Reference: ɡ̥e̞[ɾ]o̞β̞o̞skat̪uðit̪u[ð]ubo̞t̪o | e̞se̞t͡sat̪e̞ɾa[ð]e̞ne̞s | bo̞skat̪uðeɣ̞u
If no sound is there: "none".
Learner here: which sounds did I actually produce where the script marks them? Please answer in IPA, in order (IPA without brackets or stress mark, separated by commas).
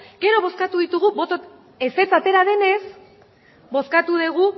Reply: ɾ, ɣ, ð